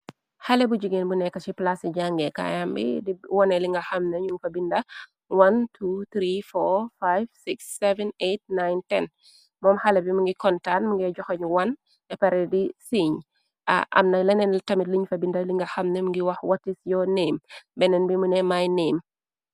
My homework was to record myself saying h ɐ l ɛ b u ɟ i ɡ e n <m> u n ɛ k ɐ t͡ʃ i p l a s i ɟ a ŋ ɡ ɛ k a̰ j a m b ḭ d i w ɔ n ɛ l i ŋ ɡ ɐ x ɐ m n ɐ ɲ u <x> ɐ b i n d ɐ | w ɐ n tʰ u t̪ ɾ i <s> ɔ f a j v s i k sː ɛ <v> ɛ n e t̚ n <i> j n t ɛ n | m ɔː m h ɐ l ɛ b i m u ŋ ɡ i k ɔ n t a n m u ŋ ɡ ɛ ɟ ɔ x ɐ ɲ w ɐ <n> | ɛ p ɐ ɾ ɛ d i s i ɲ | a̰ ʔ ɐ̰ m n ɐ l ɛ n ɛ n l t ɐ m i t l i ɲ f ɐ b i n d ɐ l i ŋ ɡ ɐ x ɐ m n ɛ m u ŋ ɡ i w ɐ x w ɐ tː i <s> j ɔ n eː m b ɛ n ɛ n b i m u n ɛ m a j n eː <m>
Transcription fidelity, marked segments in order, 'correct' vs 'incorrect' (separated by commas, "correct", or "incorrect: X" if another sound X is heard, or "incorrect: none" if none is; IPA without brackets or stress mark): incorrect: b, incorrect: f, incorrect: f, correct, incorrect: a, correct, correct, correct